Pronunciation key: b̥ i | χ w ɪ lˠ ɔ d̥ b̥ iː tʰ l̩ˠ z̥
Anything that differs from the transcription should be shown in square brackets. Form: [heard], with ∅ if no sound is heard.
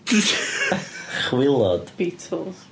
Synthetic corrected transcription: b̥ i | χ w ɪ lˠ ɔ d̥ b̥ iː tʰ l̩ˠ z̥

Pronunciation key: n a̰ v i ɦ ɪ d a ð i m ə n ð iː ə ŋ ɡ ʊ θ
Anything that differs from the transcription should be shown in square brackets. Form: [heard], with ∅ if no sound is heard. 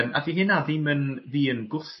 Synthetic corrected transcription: [m] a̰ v i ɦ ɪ [n] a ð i m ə n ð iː ə [n] ɡ ʊ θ

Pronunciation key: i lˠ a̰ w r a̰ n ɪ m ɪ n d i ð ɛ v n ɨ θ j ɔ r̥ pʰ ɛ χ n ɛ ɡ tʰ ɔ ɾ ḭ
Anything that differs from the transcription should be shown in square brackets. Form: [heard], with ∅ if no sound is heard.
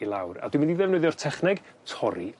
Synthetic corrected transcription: i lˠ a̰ w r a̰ [d] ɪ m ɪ n d i ð ɛ v n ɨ [ð] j ɔ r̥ [tʰ] ɛ χ n ɛ ɡ tʰ ɔ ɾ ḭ

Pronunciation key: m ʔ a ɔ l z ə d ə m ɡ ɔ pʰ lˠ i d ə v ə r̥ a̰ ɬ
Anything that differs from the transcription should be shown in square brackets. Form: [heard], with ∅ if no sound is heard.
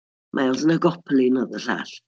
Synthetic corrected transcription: m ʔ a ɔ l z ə [n] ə [∅] ɡ ɔ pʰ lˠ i [n] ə [ð] ə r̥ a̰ ɬ

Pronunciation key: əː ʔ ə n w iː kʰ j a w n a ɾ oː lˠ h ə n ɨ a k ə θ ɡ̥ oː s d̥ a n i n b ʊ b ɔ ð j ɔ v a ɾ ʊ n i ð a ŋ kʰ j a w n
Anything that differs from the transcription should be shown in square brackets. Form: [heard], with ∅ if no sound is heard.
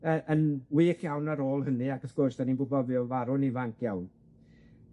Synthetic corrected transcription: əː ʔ ə n w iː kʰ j a w n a ɾ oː lˠ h ə n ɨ a k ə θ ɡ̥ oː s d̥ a n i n b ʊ b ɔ [v] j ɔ v a ɾ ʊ n i [v] a ŋ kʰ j a w n

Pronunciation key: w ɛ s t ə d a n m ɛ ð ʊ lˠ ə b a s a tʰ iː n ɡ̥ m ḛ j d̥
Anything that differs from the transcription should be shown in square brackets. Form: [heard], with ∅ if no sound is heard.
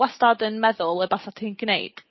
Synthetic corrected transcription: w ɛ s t [a] d [ə] n m ɛ ð ʊ lˠ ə b a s a tʰ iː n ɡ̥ [n] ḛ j d̥

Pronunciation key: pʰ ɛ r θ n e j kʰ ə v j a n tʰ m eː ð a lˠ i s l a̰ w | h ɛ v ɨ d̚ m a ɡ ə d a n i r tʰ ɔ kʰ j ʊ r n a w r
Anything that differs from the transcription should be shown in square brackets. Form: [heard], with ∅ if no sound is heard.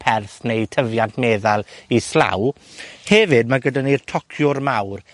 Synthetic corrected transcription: pʰ ɛ r θ n e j [tʰ] ə v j a n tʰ m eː ð a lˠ i s l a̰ w | h ɛ v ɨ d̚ m a ɡ ə d a n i r tʰ ɔ kʰ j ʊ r [m] a w r

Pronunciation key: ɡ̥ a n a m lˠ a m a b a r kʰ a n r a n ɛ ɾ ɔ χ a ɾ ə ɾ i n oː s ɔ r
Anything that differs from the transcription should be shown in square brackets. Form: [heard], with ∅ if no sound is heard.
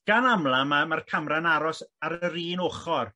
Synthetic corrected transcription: ɡ̥ a n a m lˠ a m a [m] a r kʰ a [m] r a n [a] ɾ ɔ [s] a ɾ ə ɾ [iː] n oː [χ] ɔ r

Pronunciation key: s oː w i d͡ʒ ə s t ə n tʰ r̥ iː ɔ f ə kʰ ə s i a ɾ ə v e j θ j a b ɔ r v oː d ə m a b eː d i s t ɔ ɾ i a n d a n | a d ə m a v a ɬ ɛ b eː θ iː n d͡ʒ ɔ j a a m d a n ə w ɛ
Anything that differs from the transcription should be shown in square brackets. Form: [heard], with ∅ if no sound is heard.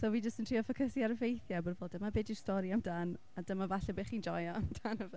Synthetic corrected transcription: s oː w i d͡ʒ ə s t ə n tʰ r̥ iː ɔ f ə kʰ ə s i a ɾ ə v e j θ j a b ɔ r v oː d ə m a b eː d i s t ɔ ɾ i a [m] d a n | a d ə m a v a ɬ ɛ b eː [χ] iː n d͡ʒ ɔ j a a m d a n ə [v] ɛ

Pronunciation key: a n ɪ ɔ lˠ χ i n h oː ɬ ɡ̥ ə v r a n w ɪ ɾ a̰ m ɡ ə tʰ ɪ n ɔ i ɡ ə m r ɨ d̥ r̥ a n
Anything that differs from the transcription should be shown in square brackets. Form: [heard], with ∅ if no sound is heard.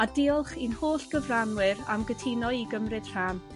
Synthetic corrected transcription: a [d] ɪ ɔ lˠ χ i n h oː ɬ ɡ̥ ə v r a n w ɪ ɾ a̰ m ɡ ə tʰ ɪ n ɔ i ɡ ə m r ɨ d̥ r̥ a n

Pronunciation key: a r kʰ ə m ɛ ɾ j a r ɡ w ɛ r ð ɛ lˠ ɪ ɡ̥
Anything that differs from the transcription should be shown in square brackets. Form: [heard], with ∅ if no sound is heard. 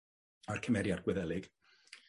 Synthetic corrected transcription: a r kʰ ə m ɛ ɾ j a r ɡ w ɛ [∅] ð ɛ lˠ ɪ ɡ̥

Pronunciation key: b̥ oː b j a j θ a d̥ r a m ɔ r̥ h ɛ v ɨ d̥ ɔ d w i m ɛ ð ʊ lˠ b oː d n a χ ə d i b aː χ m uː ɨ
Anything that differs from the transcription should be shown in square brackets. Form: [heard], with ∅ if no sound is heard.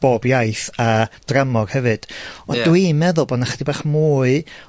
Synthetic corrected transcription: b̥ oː b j a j θ a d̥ r a m ɔ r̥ h ɛ v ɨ d̥ ɔ d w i m ɛ ð ʊ lˠ b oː d n a χ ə d i b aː χ m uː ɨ

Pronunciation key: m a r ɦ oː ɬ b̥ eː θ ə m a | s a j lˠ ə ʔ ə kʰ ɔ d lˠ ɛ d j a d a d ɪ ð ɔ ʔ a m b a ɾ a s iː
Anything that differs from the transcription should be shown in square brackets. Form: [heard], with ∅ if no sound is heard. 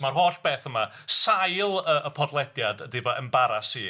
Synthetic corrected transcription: m a r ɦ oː ɬ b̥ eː θ ə m a | s a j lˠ ə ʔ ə [pʰ] ɔ d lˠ ɛ d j a d [ə] d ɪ [v] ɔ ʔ [ə] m b a ɾ a s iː

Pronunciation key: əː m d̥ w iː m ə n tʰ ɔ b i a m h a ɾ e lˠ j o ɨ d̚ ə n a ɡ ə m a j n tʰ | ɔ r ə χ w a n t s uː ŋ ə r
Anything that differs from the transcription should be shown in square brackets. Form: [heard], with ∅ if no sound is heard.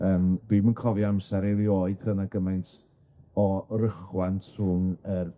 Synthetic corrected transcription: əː m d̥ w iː m ə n [kʰ] ɔ [v] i a m [s] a ɾ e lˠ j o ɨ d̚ ə n a ɡ ə m a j n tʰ | ɔ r ə χ w a n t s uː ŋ ə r

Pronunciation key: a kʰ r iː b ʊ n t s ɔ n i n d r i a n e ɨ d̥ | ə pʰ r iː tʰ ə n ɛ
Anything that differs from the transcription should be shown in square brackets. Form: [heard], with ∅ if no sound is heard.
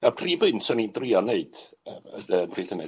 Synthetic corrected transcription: a [pʰ] r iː b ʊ n t s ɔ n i n d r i a n e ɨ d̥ | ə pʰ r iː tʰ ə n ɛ

